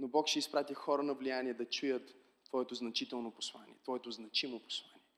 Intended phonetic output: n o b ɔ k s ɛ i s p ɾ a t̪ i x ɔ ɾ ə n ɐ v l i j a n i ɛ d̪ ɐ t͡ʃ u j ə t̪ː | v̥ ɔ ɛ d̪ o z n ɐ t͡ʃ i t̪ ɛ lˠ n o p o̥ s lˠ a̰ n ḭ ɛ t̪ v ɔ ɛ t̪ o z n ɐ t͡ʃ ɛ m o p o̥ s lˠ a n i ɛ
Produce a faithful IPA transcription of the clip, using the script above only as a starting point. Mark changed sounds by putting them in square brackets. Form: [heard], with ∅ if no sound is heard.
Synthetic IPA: n o b ɔ k [ʃ] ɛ i s p ɾ a t̪ i x ɔ ɾ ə n ɐ v l i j a n i ɛ d̪ ɐ t͡ʃ u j ə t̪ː | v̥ ɔ ɛ [t̪] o z n ɐ t͡ʃ i t̪ ɛ lˠ n o p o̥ s lˠ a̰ n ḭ ɛ t̪ v ɔ ɛ t̪ o z n ɐ t͡ʃ [i] m o p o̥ s lˠ a n i ɛ